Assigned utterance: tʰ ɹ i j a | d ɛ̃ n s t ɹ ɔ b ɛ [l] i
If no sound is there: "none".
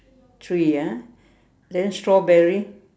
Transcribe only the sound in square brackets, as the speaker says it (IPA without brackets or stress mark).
ɹ